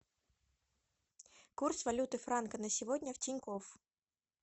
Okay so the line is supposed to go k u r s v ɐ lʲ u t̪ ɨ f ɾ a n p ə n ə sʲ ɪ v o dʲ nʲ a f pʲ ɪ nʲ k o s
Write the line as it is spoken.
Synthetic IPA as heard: k u r s v ɐ lʲ u t̪ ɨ f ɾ a n k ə n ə sʲ ɪ v o dʲ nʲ ə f tʲ ɪ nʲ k o f